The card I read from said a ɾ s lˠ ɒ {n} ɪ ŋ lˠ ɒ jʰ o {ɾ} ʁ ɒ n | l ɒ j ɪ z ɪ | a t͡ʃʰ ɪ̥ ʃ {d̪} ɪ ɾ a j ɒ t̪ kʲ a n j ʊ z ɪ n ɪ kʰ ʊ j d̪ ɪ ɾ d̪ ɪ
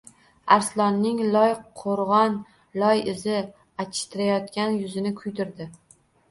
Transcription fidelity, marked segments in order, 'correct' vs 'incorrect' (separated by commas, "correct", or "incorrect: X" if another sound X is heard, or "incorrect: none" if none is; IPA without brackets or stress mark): incorrect: nː, correct, incorrect: t̪